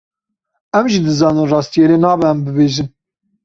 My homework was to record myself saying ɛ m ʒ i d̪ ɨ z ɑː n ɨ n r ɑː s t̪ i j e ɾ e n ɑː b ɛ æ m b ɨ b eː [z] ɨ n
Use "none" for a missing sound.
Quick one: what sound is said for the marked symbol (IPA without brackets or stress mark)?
ʒ